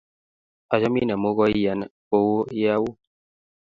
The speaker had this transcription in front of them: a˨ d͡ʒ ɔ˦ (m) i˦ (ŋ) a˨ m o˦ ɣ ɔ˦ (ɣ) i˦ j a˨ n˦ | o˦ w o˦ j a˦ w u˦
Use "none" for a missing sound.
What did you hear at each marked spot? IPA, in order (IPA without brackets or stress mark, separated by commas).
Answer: m, n, none